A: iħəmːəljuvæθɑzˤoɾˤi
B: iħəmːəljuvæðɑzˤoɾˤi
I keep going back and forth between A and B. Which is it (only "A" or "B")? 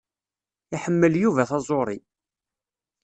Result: A